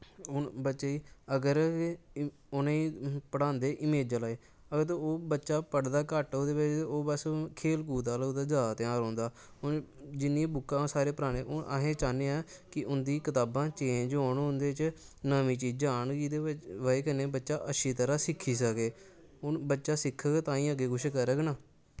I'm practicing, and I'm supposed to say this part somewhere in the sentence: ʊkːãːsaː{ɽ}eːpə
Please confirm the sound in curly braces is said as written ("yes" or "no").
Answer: no